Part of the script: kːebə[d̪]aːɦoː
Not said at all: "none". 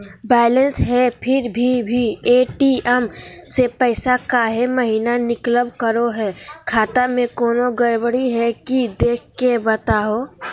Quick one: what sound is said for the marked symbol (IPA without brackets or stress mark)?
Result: t̪